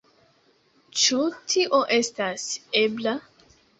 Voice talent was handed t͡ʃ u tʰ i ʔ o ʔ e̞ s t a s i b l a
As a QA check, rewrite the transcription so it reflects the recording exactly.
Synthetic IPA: t͡ʃ u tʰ i ʔ o ʔ e̞ s t a s e b l a